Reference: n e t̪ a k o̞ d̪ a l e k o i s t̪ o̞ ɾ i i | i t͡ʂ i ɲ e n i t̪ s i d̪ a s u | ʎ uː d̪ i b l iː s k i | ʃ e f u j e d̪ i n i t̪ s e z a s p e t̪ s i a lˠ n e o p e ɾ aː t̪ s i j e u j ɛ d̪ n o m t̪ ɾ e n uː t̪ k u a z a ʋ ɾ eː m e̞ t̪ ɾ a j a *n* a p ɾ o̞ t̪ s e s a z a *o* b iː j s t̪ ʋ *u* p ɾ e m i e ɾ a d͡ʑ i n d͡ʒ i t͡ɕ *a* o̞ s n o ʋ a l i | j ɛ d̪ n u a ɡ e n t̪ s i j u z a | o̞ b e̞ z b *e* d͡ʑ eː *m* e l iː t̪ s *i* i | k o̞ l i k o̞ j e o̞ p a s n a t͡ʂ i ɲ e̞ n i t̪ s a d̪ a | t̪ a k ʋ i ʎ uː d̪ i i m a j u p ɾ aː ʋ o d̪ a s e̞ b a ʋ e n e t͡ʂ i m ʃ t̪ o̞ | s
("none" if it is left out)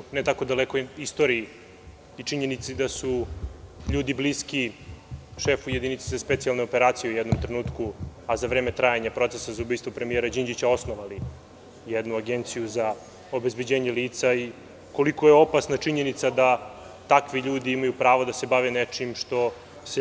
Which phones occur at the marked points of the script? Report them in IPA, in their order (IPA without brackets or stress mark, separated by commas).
ɲ, u, o, a, e, ɲ, a